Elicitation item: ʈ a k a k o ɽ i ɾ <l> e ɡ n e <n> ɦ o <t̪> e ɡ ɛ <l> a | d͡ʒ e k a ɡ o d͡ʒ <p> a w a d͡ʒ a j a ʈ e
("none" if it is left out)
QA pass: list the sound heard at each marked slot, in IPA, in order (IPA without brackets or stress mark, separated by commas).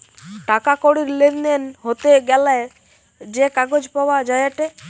l, n, t̪, l, p